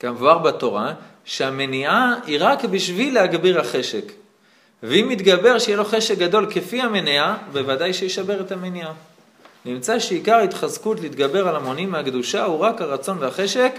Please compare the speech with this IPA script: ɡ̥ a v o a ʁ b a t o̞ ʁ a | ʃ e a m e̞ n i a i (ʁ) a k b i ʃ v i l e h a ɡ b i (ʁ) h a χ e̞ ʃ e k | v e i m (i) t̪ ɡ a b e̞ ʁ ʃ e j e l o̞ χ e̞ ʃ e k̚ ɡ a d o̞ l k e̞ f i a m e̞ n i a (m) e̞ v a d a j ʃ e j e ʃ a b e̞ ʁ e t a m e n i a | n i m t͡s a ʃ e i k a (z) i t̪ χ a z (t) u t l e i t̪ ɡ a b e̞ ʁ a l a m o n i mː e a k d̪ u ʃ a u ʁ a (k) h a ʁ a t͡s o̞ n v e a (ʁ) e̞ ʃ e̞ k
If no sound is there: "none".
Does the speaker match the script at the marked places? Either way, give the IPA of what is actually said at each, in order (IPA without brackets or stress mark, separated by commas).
ʁ, ʁ, i, b, ʁ, k, k, χ